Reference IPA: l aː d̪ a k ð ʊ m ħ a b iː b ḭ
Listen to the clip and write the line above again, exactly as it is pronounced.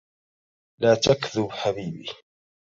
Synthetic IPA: l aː t̪ a k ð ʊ b ħ a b iː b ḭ